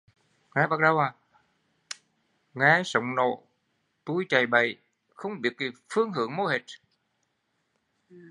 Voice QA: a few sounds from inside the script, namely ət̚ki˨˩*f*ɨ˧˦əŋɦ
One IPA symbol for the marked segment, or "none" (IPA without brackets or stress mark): f